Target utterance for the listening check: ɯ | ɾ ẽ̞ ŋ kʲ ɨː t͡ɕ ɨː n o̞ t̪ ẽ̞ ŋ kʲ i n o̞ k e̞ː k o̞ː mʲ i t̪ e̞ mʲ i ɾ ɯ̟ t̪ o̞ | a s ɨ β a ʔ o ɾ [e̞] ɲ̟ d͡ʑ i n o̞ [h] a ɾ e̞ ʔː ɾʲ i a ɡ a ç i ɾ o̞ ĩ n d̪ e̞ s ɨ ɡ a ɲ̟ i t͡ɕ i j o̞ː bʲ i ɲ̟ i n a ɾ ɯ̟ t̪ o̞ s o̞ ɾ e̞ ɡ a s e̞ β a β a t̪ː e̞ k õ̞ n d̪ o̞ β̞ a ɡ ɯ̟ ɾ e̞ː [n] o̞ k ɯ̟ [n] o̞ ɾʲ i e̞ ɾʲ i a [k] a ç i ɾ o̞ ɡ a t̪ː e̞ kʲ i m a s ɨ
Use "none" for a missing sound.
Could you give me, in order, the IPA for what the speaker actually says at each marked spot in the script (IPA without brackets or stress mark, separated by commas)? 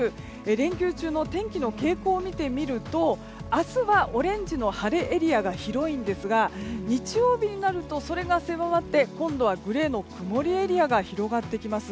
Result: ẽ̞, h, n, m, ɡ